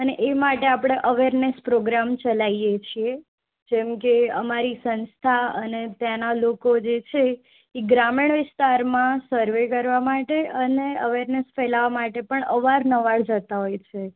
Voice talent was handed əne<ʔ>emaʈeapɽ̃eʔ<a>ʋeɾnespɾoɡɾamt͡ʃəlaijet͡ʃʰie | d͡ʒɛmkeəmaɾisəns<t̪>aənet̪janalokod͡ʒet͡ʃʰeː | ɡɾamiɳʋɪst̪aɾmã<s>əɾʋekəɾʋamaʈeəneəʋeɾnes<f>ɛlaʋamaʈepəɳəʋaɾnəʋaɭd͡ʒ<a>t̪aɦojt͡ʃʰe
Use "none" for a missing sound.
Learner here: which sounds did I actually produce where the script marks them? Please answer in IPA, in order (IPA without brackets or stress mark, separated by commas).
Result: ʔ, ə, t̪ʰ, s, f, ə